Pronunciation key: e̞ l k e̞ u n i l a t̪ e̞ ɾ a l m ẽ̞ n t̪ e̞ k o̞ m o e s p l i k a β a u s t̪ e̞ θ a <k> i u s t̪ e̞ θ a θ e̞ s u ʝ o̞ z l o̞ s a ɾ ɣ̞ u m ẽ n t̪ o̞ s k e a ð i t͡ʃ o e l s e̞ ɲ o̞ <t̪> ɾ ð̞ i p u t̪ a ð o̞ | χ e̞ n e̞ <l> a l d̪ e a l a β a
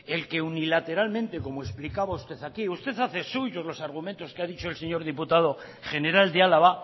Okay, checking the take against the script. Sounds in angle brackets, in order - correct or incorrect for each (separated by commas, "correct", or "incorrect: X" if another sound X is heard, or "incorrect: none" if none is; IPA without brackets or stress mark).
correct, incorrect: none, incorrect: ɾ